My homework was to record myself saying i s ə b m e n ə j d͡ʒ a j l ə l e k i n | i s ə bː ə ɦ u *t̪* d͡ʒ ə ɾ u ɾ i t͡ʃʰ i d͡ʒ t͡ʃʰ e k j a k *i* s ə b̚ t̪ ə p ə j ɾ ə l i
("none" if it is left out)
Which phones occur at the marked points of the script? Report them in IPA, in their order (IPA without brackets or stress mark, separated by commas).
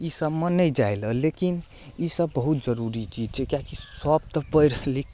t̪, i